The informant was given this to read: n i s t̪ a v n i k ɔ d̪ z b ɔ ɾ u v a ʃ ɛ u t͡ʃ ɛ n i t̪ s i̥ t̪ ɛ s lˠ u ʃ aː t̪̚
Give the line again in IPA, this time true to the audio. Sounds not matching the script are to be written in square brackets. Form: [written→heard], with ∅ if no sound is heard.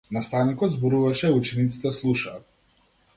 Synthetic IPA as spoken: n [i→a] s t̪ a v n i k ɔ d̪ z b ɔ ɾ u v a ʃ ɛ u t͡ʃ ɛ n i t̪ s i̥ t̪ ɛ s lˠ u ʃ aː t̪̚